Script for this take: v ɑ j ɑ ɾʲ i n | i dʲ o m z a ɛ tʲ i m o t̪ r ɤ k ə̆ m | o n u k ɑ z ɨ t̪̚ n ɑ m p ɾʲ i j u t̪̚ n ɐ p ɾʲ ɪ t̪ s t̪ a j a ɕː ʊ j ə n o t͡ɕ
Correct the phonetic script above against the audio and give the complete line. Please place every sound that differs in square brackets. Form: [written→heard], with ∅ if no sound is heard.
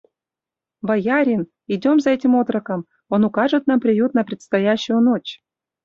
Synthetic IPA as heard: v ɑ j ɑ ɾʲ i n | i dʲ o m z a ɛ tʲ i m o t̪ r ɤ k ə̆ m | o n u k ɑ [z→ʐ] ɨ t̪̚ n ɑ m p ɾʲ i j u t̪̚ n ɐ p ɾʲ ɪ t̪ s t̪ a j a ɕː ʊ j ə n o t͡ɕ